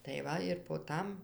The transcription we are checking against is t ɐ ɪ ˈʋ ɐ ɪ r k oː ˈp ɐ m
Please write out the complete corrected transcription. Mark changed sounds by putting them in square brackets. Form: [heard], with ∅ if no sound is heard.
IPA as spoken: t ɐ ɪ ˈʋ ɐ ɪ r [p] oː [ˈt] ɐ m